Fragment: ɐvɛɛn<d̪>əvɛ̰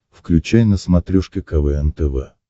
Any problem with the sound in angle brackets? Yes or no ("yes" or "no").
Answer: yes